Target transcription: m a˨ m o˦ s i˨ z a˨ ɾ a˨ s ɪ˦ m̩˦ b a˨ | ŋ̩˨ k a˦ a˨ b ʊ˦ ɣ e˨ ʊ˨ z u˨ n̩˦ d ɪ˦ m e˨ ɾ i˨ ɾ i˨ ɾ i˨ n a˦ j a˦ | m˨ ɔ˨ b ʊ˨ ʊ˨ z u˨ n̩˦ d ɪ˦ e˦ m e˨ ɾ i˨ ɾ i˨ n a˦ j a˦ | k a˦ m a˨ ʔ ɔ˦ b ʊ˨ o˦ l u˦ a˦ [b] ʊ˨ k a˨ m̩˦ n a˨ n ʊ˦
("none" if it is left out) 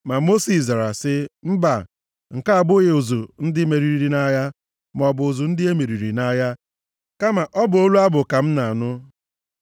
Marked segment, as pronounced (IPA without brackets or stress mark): b